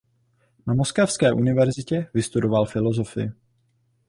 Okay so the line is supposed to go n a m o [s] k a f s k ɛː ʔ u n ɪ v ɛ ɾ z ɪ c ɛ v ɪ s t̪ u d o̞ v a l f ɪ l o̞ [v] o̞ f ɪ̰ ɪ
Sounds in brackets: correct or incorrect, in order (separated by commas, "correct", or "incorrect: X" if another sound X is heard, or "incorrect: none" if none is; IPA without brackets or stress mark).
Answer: correct, incorrect: z